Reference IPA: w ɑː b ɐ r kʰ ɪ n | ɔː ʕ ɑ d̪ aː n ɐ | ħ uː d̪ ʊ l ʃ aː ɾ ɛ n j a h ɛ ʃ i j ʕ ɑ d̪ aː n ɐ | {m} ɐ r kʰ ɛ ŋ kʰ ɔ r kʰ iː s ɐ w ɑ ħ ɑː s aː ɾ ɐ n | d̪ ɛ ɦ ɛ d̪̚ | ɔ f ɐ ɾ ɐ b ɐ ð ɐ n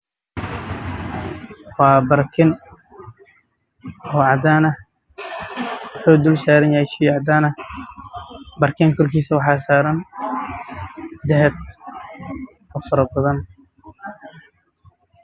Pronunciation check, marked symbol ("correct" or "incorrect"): incorrect